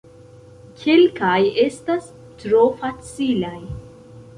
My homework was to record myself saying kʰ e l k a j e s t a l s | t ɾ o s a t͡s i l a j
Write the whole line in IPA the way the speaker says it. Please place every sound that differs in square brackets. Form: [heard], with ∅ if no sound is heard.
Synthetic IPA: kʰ e l k a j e s t a [∅] s | t ɾ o [f] a t͡s i l a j